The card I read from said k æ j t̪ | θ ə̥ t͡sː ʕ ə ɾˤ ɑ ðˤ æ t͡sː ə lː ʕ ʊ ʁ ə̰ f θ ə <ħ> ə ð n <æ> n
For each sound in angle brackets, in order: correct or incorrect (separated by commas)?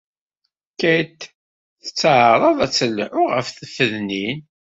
incorrect, incorrect